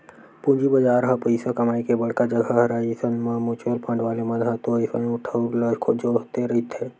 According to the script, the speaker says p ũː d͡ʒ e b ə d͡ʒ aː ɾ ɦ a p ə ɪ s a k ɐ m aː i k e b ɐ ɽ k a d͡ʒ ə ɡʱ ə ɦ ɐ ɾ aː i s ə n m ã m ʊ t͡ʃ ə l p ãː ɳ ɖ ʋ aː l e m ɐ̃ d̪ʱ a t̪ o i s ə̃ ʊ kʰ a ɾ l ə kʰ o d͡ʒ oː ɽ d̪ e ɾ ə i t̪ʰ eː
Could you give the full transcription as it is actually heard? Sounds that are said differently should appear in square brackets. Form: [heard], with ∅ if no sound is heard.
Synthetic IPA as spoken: p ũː d͡ʒ [i] b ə d͡ʒ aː ɾ ɦ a p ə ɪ s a k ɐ m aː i k e b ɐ ɽ k a d͡ʒ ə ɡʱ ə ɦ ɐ ɾ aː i s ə n m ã m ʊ t͡ʃ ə l p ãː ɳ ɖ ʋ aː l e m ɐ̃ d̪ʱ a t̪ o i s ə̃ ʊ [ʈʰ] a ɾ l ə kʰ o d͡ʒ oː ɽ [t̪] e ɾ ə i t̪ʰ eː

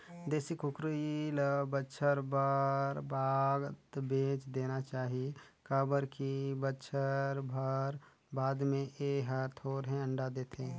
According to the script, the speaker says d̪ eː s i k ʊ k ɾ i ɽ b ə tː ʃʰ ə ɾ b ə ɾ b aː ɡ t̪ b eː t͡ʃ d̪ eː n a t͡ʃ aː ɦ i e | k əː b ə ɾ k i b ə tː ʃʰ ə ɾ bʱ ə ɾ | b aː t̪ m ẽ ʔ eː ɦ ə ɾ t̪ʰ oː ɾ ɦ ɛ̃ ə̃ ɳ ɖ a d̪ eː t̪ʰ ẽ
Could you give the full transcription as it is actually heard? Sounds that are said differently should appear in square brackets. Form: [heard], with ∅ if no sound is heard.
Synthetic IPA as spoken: d̪ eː s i k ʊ k ɾ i [l] b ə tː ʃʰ ə ɾ b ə ɾ b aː ɡ t̪ b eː t͡ʃ d̪ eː n a t͡ʃ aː ɦ i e | k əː b ə ɾ k i b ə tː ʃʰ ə ɾ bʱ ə ɾ | b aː [d̪] m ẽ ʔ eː ɦ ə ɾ t̪ʰ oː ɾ ɦ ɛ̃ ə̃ ɳ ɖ a d̪ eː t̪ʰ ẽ

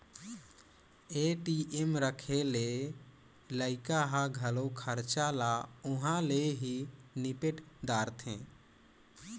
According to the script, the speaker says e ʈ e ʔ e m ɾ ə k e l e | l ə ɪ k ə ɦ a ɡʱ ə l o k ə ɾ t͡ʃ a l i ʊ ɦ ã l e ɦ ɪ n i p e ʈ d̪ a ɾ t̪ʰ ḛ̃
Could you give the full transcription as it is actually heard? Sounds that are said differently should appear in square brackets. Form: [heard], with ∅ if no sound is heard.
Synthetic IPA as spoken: e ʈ [i] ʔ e m ɾ ə [kʰ] e l e | l ə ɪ k [a] ɦ a ɡʱ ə l o [kʰ] ə ɾ t͡ʃ a l [a] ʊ ɦ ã l e ɦ [i] n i p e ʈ d̪ a ɾ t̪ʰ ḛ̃

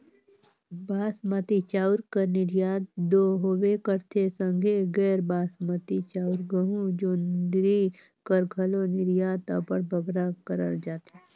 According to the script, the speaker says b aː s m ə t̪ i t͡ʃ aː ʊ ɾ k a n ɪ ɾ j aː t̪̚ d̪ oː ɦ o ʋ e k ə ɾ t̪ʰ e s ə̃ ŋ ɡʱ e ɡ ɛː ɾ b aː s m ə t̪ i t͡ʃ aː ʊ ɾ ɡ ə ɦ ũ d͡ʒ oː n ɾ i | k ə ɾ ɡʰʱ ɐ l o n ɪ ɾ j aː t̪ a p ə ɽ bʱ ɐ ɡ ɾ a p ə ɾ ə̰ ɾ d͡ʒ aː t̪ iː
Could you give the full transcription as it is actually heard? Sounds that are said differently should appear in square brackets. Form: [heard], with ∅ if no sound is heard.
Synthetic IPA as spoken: b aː s m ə t̪ i t͡ʃ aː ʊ ɾ k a n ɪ ɾ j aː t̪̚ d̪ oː ɦ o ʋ e k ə ɾ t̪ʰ e s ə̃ ŋ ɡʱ e ɡ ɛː ɾ b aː s m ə t̪ i t͡ʃ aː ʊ ɾ ɡ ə ɦ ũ d͡ʒ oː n ɾ i | k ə ɾ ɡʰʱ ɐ l o n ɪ ɾ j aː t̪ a p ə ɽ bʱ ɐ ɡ ɾ a [k] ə ɾ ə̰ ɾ d͡ʒ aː t̪ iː

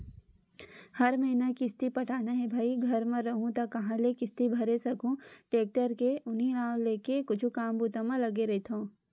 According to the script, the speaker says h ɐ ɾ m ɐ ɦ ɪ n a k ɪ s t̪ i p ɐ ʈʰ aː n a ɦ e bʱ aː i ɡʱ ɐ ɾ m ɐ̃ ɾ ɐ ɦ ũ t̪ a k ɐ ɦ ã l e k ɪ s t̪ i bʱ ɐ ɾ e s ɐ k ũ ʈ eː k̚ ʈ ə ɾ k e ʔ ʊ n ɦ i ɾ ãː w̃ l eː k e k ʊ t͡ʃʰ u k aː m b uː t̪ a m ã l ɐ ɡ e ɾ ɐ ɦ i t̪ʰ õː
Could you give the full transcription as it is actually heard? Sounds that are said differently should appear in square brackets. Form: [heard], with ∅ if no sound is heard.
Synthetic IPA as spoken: h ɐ ɾ m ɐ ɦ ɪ n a k ɪ s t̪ i p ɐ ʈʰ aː n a ɦ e bʱ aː i ɡʱ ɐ ɾ m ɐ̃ ɾ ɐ ɦ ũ t̪ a k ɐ ɦ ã l e k ɪ s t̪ i bʱ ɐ ɾ e s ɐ k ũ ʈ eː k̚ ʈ ə ɾ k e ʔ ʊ n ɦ i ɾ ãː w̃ l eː k e k ʊ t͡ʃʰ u k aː m b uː t̪ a m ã l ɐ ɡ e ɾ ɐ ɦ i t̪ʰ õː

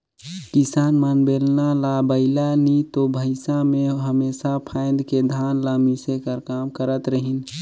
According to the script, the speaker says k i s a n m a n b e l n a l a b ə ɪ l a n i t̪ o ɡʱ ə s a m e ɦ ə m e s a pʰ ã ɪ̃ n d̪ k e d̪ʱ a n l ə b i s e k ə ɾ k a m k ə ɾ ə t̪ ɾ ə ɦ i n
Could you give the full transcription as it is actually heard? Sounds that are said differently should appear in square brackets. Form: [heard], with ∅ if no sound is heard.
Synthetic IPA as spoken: k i s a n m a n b e l n a l a b ə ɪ l a n i t̪ o [bʱ] ə s a m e ɦ ə m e s a pʰ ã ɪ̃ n d̪ k e d̪ʱ a n l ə [m] i s e k ə ɾ k a m k ə ɾ ə t̪ ɾ ə ɦ i n

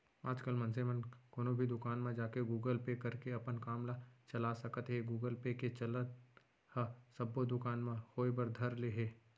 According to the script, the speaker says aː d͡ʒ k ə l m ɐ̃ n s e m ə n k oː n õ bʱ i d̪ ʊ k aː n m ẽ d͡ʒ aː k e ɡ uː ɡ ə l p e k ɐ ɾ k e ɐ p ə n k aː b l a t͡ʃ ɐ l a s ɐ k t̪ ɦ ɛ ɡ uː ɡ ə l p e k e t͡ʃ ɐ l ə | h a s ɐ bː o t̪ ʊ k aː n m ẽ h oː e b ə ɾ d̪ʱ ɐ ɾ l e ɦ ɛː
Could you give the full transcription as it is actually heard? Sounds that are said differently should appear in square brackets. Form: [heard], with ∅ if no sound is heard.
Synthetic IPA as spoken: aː d͡ʒ k ə l m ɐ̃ n s e m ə n k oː n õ bʱ i d̪ ʊ k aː n m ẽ d͡ʒ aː k e ɡ uː ɡ ə l p e k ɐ ɾ k e ɐ p ə n k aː [m] l a t͡ʃ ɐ l a s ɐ k t̪ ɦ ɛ ɡ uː ɡ ə l p e k e t͡ʃ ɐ l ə | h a s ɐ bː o [d̪] ʊ k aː n m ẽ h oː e b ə ɾ d̪ʱ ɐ ɾ l e ɦ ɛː

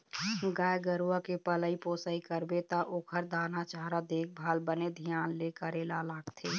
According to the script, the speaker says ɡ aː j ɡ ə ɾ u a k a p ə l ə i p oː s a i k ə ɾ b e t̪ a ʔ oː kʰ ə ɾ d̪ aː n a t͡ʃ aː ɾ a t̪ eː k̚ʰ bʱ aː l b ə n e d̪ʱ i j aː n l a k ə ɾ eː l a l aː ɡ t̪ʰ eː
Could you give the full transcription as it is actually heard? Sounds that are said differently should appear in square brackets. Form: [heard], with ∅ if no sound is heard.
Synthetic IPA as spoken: ɡ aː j ɡ ə ɾ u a k [e] p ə l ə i p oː s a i k ə ɾ b e t̪ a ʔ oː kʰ ə ɾ d̪ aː n a t͡ʃ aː ɾ a [d̪] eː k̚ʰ bʱ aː l b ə n e d̪ʱ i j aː n l [e] k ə ɾ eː l a l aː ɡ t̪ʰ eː

